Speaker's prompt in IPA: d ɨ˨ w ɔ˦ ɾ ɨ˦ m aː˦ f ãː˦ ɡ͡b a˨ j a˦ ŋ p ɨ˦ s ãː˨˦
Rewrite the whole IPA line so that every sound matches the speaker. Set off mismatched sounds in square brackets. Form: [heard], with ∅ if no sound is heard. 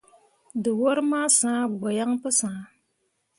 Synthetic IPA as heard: d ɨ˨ w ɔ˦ ɾ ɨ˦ m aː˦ [s] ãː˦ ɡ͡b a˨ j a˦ ŋ p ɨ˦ s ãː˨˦